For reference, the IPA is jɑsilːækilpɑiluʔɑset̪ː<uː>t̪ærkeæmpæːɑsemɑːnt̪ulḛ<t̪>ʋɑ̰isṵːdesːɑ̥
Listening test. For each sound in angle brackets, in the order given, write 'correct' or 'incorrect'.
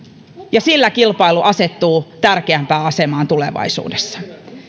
correct, incorrect: none

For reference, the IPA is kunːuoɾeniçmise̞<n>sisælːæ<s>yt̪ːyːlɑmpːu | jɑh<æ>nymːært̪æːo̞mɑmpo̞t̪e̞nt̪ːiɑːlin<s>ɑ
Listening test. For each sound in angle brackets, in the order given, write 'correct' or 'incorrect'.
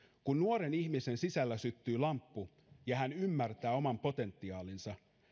correct, correct, correct, correct

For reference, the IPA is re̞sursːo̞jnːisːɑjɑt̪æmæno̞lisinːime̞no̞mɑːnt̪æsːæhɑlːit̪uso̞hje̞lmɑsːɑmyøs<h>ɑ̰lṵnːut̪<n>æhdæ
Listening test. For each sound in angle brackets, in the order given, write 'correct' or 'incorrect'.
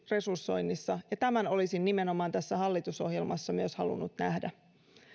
correct, correct

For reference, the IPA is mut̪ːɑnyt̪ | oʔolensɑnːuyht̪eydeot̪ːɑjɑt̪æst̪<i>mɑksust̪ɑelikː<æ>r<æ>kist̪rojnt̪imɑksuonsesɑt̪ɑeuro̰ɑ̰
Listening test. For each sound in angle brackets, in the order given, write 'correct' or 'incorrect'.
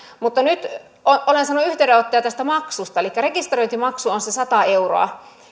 incorrect: æ, correct, incorrect: e

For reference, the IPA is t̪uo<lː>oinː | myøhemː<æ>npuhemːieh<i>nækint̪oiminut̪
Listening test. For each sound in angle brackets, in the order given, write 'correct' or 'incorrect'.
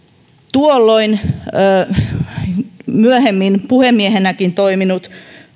correct, incorrect: i, incorrect: e

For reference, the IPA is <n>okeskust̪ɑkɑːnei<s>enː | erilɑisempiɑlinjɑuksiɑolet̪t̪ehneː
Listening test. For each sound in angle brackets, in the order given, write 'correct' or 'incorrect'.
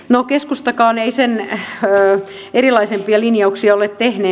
correct, correct

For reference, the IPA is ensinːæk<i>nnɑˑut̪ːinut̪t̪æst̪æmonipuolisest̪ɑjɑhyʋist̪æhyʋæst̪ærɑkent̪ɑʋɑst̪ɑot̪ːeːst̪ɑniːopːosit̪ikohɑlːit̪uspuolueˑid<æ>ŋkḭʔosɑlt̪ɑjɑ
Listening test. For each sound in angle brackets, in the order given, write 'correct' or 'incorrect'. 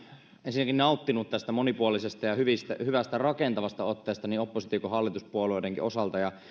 correct, incorrect: e

